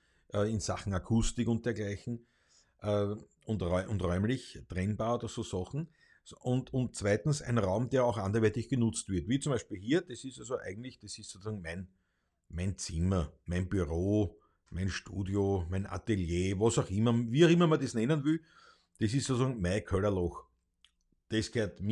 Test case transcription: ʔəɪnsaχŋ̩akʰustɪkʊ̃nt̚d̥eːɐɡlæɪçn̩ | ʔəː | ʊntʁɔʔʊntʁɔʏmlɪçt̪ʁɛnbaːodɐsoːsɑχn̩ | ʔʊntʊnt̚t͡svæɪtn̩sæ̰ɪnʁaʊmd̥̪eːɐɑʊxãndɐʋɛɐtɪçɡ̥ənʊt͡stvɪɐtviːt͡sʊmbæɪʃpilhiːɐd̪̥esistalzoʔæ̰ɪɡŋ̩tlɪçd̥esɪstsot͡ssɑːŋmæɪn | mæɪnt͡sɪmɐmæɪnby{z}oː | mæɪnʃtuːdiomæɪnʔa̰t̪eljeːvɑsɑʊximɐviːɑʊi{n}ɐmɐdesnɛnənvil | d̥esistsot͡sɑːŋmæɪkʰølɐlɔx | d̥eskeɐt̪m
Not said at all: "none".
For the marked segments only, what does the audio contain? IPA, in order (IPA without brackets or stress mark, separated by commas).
ʁ, m